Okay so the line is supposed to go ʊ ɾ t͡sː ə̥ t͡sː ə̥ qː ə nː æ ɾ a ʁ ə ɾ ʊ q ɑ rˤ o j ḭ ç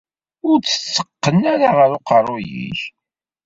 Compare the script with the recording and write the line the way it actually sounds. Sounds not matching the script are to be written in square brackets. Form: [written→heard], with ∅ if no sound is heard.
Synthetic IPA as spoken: ʊ ɾ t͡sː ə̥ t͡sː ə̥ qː ə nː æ ɾ a ʁ ə ɾ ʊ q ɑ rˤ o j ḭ ç